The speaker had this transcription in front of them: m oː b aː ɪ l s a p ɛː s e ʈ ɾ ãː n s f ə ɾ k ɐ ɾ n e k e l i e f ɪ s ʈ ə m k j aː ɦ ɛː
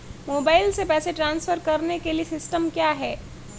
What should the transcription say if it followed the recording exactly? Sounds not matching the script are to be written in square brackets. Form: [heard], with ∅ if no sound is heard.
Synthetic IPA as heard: m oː b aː ɪ l s [e] p ɛː s e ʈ ɾ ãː n s f ə ɾ k ɐ ɾ n e k e l i e [s] ɪ s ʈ ə m k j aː ɦ ɛː